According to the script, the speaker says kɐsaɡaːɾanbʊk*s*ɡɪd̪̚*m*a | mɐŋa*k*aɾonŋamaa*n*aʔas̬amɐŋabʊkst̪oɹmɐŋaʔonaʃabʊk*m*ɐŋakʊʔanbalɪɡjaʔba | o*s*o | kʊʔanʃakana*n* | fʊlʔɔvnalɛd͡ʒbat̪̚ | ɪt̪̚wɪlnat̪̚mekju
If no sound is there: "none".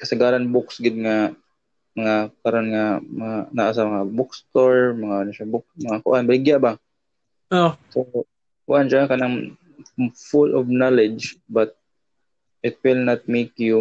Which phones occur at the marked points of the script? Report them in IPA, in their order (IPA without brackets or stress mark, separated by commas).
s, ŋ, k, n, m, s, ŋ